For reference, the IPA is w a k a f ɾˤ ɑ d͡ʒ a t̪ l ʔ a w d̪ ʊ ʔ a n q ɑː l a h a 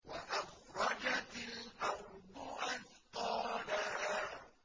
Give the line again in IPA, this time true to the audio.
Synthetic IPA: w a ʔ a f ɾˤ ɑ d͡ʒ a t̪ l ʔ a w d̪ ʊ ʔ a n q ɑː l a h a